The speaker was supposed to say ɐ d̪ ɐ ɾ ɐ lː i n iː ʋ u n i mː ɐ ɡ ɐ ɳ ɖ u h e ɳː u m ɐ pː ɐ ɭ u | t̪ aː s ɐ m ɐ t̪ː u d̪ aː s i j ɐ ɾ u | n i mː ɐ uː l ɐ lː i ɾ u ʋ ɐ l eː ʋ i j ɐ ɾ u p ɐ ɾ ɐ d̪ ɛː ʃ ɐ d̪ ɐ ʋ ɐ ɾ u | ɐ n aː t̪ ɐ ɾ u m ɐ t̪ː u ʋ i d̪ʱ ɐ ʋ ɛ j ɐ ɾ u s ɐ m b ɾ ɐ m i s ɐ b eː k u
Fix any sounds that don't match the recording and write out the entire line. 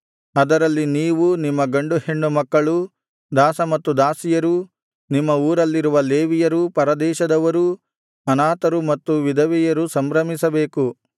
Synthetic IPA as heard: ɐ d̪ ɐ ɾ ɐ lː i n iː ʋ u n i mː ɐ ɡ ɐ ɳ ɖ u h e ɳː u m ɐ kː ɐ ɭ u | d̪ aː s ɐ m ɐ t̪ː u d̪ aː s i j ɐ ɾ u | n i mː ɐ uː ɾ ɐ lː i ɾ u ʋ ɐ l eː ʋ i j ɐ ɾ u p ɐ ɾ ɐ d̪ ɛː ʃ ɐ d̪ ɐ ʋ ɐ ɾ u | ɐ n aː t̪ ɐ ɾ u m ɐ t̪ː u ʋ i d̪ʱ ɐ ʋ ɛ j ɐ ɾ u s ɐ m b ɾ ɐ m i s ɐ b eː k u